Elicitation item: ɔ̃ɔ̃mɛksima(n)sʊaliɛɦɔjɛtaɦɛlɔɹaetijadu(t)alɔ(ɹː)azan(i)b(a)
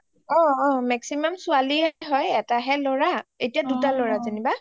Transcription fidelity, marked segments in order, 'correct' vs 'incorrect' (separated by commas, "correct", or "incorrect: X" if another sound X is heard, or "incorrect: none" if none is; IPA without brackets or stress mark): incorrect: m, correct, incorrect: ɹ, correct, correct